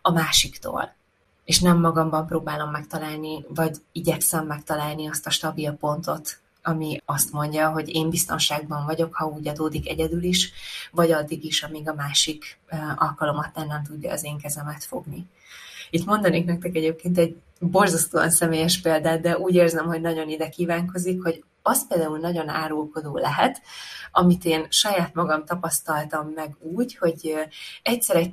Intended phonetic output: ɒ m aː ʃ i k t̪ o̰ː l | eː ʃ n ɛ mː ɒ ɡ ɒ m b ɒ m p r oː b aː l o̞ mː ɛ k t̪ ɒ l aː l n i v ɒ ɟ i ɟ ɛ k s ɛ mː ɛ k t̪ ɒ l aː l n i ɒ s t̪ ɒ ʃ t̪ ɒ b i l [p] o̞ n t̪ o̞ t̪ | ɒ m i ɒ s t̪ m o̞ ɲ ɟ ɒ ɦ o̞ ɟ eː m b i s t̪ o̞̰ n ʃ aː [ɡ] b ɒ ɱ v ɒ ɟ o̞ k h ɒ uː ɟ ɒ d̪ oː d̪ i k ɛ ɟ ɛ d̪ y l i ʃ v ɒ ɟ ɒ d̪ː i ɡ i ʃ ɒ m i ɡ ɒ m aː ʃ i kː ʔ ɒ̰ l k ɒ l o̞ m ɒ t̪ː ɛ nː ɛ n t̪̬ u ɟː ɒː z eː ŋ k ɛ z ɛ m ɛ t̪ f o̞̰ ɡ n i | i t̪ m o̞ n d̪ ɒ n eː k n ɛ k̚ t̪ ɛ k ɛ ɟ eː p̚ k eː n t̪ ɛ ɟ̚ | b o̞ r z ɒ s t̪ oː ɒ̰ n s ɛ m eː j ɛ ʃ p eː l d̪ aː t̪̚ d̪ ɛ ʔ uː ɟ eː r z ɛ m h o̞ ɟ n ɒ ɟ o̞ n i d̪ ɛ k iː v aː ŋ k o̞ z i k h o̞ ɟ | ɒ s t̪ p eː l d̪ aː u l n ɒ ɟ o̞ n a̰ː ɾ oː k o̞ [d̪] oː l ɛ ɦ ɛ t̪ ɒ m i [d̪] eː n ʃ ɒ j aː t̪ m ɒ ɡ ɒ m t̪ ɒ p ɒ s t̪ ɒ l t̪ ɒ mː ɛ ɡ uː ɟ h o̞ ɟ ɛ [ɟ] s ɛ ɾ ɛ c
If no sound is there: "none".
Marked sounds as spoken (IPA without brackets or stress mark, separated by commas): p, ɡ, d̪, t̪, c